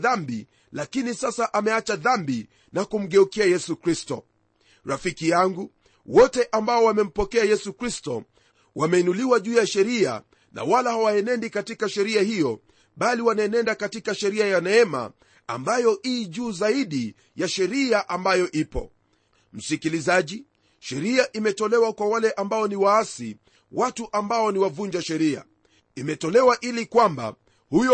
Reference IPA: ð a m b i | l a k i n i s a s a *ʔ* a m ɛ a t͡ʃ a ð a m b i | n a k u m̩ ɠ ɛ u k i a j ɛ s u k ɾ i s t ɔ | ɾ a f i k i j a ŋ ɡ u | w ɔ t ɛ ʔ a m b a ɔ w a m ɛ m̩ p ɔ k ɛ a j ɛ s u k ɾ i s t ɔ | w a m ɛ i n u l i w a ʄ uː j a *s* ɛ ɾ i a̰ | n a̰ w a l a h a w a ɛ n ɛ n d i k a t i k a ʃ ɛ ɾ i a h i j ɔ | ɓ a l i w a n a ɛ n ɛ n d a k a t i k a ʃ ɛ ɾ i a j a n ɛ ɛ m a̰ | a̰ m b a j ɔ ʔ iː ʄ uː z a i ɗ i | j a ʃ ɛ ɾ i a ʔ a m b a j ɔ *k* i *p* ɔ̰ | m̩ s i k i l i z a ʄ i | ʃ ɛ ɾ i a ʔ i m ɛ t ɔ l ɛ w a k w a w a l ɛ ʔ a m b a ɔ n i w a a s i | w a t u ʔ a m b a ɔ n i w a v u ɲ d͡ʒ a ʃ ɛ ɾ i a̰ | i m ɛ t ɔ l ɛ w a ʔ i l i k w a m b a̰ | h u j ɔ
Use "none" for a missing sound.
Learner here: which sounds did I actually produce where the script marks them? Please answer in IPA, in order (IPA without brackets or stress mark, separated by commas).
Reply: ʔ, ʃ, ʔ, p